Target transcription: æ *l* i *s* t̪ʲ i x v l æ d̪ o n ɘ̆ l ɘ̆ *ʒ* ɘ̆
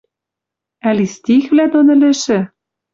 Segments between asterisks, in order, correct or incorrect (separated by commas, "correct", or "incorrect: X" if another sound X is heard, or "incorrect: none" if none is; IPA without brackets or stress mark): correct, correct, incorrect: ʃ